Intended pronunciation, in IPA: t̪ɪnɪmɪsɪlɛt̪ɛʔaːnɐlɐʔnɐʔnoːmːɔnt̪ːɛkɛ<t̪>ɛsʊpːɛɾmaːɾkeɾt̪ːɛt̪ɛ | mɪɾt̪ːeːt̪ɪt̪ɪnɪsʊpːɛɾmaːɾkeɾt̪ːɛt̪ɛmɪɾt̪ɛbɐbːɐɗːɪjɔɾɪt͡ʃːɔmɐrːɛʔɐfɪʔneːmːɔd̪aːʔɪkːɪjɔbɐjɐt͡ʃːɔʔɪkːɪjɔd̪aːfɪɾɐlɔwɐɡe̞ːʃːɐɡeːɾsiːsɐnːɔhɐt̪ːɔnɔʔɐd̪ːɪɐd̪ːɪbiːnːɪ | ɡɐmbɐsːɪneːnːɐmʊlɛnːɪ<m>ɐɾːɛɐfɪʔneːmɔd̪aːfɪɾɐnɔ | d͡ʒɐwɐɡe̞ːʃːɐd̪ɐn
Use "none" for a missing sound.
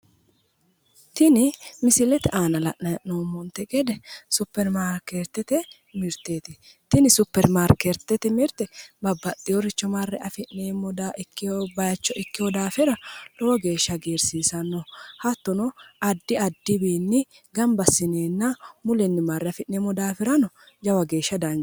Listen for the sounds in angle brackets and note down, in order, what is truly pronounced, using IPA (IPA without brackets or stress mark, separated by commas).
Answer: d̪, m